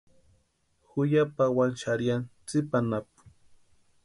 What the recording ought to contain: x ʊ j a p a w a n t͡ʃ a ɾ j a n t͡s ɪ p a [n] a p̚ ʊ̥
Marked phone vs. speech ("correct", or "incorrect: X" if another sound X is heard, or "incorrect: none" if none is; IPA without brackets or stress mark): correct